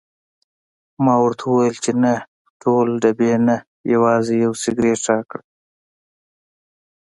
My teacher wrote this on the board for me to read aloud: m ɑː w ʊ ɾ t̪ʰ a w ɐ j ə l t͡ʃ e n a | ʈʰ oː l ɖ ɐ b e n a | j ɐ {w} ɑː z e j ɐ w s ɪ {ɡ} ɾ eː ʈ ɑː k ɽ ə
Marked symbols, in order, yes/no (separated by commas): yes, yes